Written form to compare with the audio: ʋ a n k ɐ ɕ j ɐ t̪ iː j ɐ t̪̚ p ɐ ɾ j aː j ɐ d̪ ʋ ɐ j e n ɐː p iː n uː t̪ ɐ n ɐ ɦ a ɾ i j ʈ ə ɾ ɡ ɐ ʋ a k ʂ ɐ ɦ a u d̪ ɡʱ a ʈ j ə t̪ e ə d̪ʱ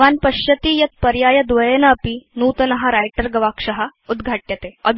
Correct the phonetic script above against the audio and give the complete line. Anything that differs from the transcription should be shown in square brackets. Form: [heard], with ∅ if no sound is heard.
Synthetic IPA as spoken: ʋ a n [p] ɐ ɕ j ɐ t̪ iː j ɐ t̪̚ p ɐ ɾ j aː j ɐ d̪ ʋ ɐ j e n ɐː p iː n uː t̪ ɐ n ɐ ɦ a ɾ [a] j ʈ ə ɾ ɡ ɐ ʋ a k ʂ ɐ ɦ a u d̪ ɡʱ a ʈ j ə t̪ e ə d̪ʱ